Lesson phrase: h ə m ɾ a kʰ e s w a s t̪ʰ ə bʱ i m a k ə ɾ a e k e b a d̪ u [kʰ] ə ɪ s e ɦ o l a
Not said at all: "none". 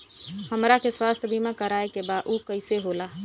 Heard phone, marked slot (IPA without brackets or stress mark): k